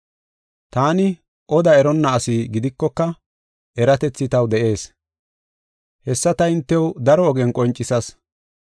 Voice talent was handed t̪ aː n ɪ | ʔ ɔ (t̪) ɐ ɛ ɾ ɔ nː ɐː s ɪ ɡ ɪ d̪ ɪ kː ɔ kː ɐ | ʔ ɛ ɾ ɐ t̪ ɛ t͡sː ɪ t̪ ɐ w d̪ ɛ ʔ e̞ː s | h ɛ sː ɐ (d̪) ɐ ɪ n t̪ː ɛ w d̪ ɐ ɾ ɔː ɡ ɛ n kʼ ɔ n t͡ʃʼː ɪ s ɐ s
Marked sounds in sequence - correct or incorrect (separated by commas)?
incorrect, incorrect